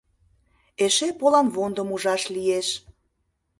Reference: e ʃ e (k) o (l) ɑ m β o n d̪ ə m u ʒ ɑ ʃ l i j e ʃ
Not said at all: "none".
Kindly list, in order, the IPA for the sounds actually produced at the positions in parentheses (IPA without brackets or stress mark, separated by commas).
p, l